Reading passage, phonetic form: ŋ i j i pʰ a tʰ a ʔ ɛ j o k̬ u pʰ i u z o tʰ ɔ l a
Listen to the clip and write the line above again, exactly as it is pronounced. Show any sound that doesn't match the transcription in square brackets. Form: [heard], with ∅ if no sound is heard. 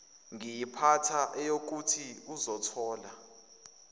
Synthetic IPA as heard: ŋ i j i pʰ a tʰ a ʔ ɛ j o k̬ u [tʰ] i u z [ɔ] tʰ [ɔː] l a